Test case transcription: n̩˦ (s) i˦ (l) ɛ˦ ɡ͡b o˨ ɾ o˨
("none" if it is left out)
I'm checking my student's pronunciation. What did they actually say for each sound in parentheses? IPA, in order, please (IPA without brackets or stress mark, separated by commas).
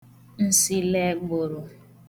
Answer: s, l